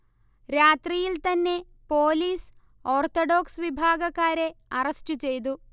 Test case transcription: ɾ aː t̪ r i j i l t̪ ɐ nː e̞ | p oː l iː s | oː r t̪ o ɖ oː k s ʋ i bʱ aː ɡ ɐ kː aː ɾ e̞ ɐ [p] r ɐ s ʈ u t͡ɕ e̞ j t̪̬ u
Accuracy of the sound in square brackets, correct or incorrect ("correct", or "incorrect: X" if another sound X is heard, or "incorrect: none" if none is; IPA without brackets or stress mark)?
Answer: incorrect: none